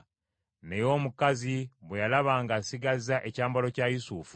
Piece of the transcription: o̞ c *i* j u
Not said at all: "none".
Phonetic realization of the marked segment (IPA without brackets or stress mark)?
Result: a